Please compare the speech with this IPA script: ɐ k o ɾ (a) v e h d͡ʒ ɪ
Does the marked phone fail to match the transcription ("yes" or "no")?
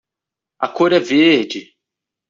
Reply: yes